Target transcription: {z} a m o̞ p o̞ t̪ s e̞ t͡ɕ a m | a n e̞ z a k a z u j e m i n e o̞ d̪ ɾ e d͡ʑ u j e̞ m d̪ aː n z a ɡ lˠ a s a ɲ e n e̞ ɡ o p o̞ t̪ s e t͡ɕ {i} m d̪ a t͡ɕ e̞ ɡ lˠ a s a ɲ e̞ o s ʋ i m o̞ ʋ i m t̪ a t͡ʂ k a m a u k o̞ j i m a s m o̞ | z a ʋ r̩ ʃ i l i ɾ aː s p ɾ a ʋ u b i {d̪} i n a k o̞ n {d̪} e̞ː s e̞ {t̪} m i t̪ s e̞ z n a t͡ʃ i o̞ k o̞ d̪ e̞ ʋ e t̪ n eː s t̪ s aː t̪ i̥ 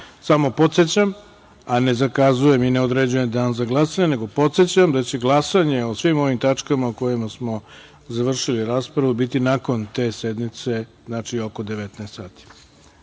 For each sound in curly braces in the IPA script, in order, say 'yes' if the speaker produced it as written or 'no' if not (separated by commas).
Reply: no, no, no, no, no